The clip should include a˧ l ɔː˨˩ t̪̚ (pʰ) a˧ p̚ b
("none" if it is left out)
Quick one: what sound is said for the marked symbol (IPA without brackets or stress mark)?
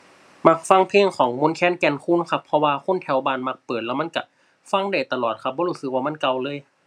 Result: kʰ